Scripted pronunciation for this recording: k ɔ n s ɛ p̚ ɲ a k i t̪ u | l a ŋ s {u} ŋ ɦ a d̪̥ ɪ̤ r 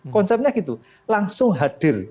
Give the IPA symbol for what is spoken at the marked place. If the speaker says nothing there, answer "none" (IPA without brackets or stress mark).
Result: ʊ